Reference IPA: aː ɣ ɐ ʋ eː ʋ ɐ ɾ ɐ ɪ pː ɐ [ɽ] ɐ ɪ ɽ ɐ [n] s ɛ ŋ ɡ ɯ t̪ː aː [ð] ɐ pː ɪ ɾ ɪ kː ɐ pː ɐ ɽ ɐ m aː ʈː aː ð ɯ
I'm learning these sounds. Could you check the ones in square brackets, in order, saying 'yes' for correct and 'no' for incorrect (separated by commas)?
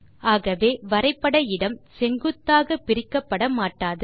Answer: yes, no, no